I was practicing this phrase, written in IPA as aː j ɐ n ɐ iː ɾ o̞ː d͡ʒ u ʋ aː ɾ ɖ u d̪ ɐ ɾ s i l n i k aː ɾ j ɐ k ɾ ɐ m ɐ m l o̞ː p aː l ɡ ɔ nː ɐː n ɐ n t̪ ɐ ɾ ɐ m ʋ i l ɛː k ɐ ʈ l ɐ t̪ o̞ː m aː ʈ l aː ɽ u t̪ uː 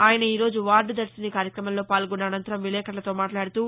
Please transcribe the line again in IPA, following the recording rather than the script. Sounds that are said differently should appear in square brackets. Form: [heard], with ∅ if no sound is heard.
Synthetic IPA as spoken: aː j ɐ n ɐ iː ɾ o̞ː d͡ʒ u ʋ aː ɾ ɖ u d̪ ɐ ɾ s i [∅] n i k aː ɾ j ɐ k ɾ ɐ m ɐ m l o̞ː p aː l ɡ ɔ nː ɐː n ɐ n t̪ ɐ ɾ ɐ m ʋ i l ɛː k ɐ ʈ l ɐ t̪ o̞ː m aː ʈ l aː ɽ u t̪ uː